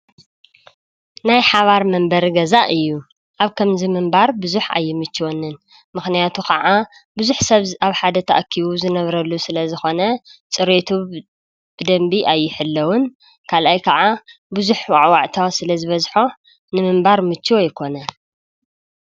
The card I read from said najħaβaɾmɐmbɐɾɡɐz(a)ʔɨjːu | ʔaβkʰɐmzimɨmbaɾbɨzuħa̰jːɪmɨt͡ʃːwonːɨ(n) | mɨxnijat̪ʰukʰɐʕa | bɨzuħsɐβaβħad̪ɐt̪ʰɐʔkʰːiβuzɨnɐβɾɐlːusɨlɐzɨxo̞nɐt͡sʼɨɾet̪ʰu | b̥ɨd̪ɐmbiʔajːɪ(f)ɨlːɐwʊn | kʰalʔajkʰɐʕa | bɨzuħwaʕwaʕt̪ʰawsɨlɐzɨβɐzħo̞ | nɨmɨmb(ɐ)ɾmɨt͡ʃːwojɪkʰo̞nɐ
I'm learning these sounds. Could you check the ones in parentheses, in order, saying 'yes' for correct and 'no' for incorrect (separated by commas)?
yes, yes, no, no